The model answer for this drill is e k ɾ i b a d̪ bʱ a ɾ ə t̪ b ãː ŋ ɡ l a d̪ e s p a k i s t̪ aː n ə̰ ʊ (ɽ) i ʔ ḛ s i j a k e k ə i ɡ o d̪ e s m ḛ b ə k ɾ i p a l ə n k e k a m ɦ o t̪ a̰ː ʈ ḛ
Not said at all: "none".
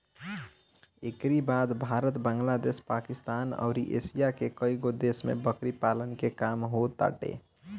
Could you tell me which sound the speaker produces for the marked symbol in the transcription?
ɾ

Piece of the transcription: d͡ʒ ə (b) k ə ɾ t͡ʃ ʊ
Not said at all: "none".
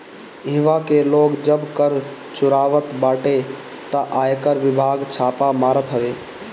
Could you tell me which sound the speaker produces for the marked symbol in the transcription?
b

